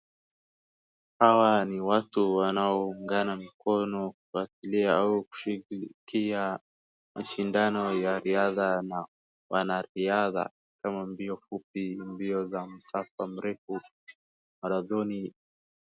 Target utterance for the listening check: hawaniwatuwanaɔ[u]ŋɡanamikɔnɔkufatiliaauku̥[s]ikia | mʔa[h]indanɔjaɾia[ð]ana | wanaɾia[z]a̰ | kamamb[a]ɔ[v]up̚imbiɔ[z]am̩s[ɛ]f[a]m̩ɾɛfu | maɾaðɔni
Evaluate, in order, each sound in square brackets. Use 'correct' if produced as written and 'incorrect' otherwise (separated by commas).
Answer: correct, incorrect, incorrect, correct, incorrect, incorrect, incorrect, correct, incorrect, correct